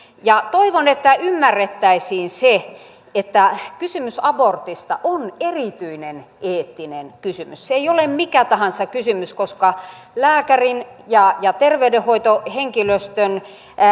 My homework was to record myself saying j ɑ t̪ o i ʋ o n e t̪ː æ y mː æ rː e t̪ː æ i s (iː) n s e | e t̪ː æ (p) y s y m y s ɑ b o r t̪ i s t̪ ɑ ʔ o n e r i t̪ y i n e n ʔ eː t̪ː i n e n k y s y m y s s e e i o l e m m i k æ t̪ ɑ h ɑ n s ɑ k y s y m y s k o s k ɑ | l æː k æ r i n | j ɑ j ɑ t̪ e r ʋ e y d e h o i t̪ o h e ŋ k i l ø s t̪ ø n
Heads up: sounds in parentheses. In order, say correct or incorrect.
correct, incorrect

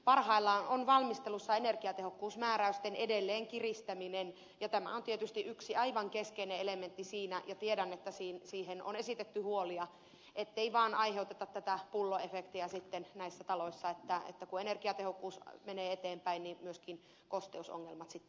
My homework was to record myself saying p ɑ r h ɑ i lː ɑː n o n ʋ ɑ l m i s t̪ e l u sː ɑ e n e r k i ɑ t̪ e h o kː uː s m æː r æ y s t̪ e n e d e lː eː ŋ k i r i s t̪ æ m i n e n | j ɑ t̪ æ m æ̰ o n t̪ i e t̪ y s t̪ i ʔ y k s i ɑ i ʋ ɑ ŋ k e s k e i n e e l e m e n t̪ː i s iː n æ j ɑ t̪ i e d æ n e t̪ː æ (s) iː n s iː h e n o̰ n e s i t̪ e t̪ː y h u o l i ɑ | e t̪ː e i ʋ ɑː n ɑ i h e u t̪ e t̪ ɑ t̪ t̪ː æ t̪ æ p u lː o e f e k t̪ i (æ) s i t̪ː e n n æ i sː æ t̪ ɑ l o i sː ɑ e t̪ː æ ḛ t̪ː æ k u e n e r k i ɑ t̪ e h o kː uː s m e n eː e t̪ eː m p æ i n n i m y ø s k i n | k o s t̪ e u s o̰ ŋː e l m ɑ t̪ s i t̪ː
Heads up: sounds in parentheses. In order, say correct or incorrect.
correct, correct

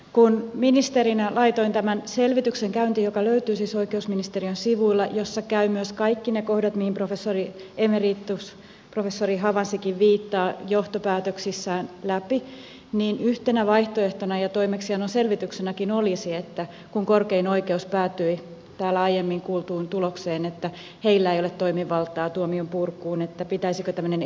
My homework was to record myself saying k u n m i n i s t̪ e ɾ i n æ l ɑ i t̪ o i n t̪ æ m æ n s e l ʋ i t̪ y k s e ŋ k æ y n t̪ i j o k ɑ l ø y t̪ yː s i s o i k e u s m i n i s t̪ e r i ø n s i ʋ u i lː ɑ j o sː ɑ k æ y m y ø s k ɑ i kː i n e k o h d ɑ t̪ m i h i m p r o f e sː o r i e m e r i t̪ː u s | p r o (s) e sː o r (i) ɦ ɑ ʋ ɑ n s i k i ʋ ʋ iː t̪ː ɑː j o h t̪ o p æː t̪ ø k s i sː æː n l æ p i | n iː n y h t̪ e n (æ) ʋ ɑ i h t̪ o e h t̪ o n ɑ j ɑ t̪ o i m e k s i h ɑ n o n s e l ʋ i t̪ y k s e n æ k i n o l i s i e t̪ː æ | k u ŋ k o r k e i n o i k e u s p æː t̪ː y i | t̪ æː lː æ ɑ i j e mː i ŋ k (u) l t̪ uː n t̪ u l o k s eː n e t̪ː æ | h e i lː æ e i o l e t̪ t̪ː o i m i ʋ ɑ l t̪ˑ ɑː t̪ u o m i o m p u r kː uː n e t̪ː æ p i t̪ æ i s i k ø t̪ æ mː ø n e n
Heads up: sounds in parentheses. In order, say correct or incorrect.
incorrect, correct, correct, incorrect

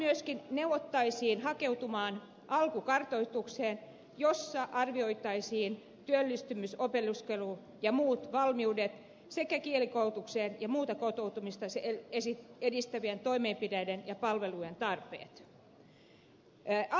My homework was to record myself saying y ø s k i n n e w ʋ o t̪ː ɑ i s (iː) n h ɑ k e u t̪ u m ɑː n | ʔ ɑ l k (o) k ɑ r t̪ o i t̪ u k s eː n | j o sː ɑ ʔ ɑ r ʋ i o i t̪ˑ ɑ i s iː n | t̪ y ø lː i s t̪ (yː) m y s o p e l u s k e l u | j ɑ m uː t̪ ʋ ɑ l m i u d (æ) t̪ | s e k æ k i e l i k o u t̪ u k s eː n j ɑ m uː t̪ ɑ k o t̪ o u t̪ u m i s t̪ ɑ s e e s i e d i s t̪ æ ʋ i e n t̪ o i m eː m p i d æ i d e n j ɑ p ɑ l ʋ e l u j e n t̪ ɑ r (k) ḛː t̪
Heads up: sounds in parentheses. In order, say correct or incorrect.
correct, incorrect, incorrect, incorrect, incorrect

